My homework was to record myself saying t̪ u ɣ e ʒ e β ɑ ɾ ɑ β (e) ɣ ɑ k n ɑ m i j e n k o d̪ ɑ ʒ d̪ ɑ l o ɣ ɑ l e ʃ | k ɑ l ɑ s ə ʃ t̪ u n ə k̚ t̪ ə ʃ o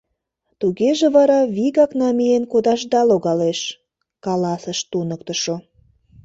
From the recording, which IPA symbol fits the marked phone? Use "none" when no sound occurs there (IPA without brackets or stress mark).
i